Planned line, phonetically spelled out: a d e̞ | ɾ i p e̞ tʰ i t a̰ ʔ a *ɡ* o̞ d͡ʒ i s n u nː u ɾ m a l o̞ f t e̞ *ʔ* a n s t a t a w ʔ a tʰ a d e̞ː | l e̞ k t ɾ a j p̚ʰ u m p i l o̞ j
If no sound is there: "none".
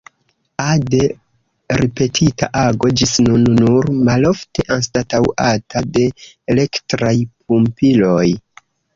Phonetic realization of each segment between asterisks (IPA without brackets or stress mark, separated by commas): ɡ, ʔ